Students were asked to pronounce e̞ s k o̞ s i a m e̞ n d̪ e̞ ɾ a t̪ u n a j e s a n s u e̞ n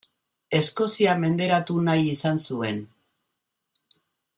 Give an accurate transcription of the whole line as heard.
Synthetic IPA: e̞ s k o̞ s i a m e̞ n d̪ e̞ ɾ a t̪ u n a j i s a n s u e̞ n